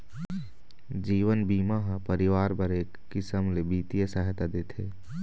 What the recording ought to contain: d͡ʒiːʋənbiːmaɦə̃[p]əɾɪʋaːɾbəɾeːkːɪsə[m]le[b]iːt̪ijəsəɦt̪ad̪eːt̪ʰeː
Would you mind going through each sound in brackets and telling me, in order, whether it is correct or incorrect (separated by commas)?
correct, correct, correct